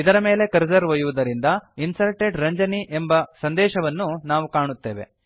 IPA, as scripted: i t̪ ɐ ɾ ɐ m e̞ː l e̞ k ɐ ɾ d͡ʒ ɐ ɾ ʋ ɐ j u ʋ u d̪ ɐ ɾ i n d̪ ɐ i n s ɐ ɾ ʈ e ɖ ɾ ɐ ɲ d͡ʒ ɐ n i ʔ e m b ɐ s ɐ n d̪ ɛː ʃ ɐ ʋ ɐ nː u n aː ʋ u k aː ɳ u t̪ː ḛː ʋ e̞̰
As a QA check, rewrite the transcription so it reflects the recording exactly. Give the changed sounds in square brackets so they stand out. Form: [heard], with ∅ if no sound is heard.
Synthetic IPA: i [d̪] ɐ ɾ ɐ m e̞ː l e̞ k ɐ ɾ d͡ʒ ɐ ɾ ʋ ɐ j u ʋ u d̪ ɐ ɾ i n d̪ ɐ i n s ɐ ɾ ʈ e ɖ ɾ ɐ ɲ d͡ʒ ɐ n i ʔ e m b ɐ s ɐ n d̪ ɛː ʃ ɐ ʋ ɐ nː u n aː ʋ u k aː ɳ u t̪ː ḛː ʋ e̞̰